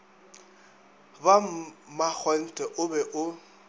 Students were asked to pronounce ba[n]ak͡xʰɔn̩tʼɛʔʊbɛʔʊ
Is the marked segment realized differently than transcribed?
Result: yes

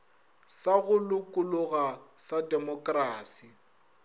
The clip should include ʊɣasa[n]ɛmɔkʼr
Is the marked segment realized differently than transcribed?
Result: yes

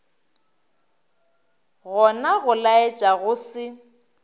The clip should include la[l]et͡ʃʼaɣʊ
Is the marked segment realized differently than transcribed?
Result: yes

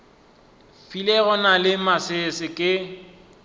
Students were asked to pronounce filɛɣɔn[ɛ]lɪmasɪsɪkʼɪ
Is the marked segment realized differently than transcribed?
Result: yes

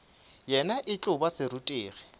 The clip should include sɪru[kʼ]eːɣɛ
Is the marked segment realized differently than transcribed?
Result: yes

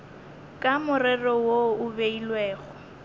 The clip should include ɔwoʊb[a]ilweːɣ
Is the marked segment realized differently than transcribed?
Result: yes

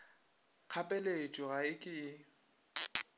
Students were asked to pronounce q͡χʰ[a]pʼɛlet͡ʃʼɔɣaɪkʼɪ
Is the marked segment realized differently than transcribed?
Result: no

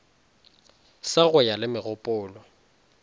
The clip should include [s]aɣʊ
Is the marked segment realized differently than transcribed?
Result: no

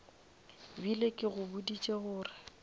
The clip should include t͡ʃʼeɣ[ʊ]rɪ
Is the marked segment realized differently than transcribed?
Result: yes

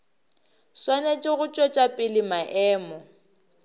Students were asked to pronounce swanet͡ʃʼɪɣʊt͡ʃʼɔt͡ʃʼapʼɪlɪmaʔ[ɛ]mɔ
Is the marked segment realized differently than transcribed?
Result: yes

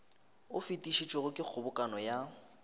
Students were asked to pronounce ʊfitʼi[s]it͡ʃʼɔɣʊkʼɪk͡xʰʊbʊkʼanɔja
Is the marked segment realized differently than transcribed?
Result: yes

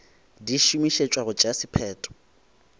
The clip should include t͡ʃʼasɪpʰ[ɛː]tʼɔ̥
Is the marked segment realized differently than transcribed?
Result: no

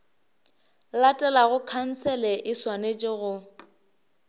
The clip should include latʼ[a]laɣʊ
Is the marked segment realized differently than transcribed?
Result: yes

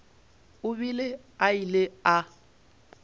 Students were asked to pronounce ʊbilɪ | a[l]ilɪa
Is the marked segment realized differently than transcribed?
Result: yes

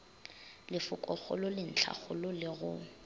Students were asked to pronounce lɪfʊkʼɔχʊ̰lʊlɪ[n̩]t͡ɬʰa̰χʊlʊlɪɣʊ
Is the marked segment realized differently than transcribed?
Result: no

